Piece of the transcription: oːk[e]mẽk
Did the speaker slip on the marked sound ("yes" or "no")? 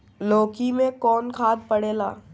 yes